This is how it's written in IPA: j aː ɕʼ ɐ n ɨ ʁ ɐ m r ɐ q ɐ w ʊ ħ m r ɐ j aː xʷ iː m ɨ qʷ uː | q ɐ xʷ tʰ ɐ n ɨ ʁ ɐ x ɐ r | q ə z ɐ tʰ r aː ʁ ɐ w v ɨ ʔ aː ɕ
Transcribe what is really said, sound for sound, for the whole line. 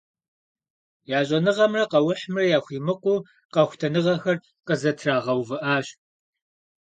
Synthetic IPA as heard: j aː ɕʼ ɐ n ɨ ʁ ɐ m r ɐ q ɐ w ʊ ħ m r ɐ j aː xʷ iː m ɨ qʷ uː | q ɐ xʷ tʰ ɐ n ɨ ʁ ɐ x ɐ r | q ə z ɐ tʰ r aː ʁ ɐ w v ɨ ʔ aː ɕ